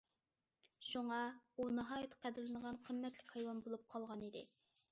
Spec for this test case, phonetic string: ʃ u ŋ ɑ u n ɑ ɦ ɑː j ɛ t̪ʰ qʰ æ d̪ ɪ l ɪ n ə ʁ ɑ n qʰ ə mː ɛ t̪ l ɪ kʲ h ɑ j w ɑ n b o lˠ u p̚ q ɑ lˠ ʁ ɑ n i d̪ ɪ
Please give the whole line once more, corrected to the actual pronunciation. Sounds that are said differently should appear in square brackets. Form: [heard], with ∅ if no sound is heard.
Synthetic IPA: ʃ u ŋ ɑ u n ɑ ɦ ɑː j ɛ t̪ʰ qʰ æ d̪ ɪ l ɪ n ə ʁ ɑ n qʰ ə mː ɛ t̪ l ɪ kʲ h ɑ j w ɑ n b o lˠ u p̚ [qʰ] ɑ lˠ ʁ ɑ n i d̪ ɪ